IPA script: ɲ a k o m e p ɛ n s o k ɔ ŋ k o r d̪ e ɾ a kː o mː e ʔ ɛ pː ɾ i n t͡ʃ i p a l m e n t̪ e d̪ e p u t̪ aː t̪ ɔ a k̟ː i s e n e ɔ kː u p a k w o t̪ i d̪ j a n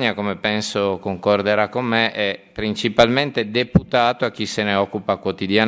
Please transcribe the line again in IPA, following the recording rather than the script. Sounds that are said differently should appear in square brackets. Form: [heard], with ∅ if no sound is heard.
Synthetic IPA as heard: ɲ a k o m e p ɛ n s o k [o] ŋ k o r d̪ e ɾ a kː o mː e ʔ ɛ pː ɾ i n t͡ʃ i p a l m e n t̪ e d̪ e p u t̪ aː t̪ [o] a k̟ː i s e n e ɔ kː u p a k w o t̪ i d̪ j a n